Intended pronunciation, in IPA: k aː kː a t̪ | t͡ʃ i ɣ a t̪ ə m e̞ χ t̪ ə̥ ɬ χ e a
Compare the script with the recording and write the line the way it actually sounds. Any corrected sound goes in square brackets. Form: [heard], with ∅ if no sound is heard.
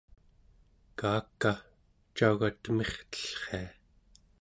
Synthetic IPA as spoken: k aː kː a [∅] | t͡ʃ [a] ɣ a t̪ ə m e̞ χ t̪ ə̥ ɬ χ e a

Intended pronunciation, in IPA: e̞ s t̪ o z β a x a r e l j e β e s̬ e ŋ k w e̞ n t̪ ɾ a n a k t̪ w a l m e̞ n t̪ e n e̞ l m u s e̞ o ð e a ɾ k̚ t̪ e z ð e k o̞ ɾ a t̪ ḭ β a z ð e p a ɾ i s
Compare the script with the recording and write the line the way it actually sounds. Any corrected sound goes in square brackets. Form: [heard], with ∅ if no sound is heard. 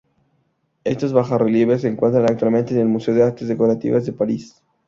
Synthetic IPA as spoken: e̞ s t̪ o z β a x a r e l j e β e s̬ e ŋ k w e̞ n t̪ ɾ a n a k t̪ w a l m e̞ n t̪ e n e̞ l m u s e̞ o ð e a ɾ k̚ t̪ e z ð e k o̞ ɾ a t̪ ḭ β a z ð e p a ɾ i s

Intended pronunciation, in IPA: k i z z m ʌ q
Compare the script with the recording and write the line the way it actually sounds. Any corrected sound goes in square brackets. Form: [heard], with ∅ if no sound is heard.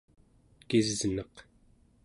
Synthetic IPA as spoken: k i z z [n] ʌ q

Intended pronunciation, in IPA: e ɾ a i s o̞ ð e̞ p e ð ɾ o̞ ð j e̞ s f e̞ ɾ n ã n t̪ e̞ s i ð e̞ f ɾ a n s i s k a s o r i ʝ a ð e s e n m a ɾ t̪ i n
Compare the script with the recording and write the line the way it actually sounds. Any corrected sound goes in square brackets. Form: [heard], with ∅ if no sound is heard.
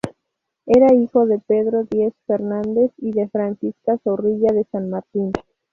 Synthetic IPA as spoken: e ɾ a i [x] o̞ ð e̞ p e ð ɾ o̞ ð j e̞ s f e̞ ɾ n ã n [d̪] e̞ s i ð e̞ f ɾ a n s i s k a s o r i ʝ a ð e s [a] n m a ɾ t̪ i n

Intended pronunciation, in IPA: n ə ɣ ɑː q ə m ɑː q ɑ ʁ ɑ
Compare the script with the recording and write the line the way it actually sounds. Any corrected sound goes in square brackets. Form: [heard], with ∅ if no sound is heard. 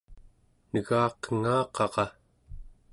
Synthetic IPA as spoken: n ə ɣ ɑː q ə [ŋ] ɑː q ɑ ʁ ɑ

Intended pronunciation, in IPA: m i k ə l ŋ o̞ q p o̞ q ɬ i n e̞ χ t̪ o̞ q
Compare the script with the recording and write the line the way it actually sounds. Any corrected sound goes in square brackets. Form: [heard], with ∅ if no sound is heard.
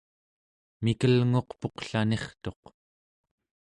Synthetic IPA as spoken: m i k ə l ŋ o̞ q p o̞ q ɬ [a] n e̞ χ t̪ o̞ q

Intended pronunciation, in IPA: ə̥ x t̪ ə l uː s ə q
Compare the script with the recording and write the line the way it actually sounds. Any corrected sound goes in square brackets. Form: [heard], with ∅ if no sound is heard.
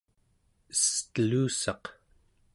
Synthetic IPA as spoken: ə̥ [s] t̪ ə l uː s [ɑ] q

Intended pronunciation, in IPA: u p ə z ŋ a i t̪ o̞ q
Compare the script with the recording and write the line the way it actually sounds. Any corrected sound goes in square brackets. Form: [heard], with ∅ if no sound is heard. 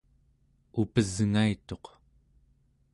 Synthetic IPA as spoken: u p ə z ŋ a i t̪ o̞ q

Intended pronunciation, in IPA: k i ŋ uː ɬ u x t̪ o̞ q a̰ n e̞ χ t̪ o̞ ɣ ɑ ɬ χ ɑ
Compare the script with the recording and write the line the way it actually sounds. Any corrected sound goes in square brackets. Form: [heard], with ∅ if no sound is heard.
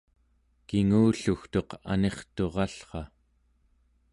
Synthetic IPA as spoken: k i ŋ uː ɬ u x t̪ o̞ q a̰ n e̞ χ t̪ o̞ [ʁ] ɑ ɬ χ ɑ

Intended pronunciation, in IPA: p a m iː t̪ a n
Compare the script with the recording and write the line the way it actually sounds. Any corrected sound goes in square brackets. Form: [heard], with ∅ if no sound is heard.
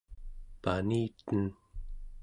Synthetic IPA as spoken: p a [n] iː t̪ [ə] n

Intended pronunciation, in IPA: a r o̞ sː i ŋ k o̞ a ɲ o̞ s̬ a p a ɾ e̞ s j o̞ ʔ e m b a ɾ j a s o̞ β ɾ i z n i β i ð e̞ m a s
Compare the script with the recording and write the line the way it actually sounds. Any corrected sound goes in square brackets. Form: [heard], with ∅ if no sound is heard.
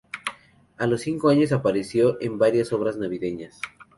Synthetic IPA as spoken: a [l] o̞ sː i ŋ k o̞ a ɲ o̞ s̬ a p a ɾ e̞ s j o̞ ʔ e m b a ɾ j a s o̞ β ɾ [a] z n [a] β i ð e̞ [ɲ] a s

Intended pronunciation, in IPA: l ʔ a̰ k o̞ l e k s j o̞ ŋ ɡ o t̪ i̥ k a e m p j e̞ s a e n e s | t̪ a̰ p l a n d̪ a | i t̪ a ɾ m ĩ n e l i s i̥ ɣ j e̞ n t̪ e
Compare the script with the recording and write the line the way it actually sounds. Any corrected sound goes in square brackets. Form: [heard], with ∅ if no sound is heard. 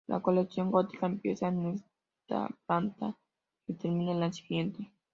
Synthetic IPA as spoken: l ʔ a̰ k o̞ l e k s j o̞ ŋ ɡ o t̪ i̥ k a e m p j e̞ s a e n e s | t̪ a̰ p l a n [t̪] a | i t̪ [e] ɾ m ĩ n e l [a] s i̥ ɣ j e̞ n t̪ e

